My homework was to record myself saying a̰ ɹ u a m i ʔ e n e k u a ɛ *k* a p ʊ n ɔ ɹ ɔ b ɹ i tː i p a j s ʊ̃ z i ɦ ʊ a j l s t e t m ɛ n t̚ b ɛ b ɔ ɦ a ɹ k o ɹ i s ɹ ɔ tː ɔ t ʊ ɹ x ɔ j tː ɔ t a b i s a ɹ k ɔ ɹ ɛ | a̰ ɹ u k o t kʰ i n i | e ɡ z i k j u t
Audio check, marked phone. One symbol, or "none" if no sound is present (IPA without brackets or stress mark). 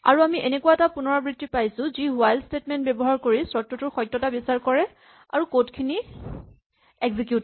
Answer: t